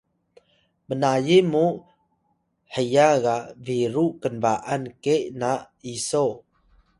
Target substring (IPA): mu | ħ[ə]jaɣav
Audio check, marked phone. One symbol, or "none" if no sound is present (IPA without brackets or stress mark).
ə